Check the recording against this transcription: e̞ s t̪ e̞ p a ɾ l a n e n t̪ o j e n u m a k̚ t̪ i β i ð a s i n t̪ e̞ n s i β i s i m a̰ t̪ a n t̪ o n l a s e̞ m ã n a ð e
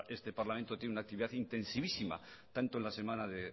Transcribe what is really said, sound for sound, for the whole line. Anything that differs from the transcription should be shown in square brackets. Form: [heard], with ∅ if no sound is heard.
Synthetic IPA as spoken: e̞ s t̪ e̞ p a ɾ l a [m] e n t̪ o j e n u [n] a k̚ t̪ i β i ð a [θ] i n t̪ e̞ n s i β i s i m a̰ t̪ a n t̪ o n l a s e̞ m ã n a ð e